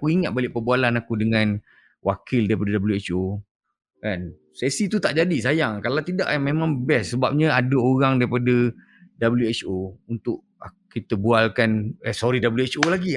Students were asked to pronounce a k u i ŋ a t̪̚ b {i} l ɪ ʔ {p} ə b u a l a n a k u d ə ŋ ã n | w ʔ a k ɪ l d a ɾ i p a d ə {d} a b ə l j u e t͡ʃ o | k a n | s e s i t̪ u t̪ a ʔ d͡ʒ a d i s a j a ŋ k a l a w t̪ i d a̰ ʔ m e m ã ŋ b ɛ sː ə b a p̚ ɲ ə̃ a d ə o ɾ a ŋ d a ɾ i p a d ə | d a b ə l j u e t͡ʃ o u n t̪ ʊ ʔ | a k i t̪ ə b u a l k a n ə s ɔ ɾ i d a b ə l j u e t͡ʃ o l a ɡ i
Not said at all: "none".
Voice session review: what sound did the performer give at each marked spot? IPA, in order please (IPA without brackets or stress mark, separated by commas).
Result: a, p, d